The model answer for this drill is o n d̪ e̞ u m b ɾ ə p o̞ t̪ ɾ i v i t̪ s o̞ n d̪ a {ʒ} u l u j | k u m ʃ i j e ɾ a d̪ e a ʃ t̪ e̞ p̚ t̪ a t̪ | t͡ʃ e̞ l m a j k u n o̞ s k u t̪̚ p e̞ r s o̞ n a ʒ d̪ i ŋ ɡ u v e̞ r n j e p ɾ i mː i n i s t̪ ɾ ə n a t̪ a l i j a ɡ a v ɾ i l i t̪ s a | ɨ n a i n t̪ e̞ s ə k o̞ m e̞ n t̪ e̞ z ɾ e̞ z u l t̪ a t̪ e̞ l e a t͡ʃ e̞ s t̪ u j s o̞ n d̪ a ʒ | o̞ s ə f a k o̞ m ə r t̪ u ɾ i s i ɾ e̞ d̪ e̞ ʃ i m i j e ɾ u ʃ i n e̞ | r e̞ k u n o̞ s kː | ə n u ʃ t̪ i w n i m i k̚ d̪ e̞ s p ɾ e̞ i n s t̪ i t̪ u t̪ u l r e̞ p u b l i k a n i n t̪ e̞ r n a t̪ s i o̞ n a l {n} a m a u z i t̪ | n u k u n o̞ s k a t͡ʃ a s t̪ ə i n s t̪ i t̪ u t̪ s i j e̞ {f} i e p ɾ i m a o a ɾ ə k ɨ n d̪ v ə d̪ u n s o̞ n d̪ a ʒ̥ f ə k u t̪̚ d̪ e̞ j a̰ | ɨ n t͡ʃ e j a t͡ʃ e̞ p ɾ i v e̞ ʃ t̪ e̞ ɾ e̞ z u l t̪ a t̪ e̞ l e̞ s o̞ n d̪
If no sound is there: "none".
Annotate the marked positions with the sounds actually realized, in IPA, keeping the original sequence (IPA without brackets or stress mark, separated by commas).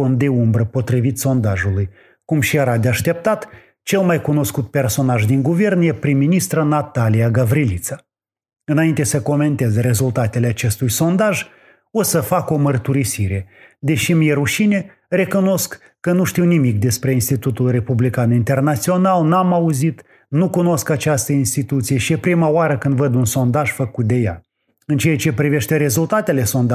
ʒ, n, ʃ